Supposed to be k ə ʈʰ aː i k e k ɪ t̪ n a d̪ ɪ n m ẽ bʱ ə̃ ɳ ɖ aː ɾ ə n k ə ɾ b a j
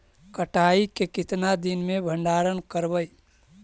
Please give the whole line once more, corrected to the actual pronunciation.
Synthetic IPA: k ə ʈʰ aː i k e k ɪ t̪ n a d̪ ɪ n m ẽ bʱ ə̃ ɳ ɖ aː ɾ ə n k ə ɾ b ə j